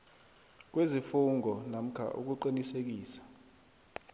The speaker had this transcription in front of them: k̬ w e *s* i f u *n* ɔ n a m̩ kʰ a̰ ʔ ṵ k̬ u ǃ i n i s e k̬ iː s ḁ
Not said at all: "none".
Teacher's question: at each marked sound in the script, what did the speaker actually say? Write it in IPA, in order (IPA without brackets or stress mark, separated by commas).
z, ŋ